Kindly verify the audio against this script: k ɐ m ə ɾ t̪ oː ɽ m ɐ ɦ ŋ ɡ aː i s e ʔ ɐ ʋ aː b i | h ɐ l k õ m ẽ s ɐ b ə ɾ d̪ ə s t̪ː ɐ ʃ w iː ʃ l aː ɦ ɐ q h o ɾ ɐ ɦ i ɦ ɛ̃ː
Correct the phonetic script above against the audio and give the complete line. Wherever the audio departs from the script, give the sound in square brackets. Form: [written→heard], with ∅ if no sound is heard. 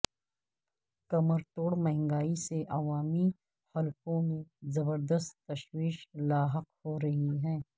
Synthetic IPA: k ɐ m ə ɾ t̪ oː ɽ m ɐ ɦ ŋ ɡ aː i s e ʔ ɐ ʋ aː [b→m] i | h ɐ l k õ m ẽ [s→z] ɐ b ə ɾ d̪ ə s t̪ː ɐ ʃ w iː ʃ l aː ɦ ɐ q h o ɾ ɐ ɦ i ɦ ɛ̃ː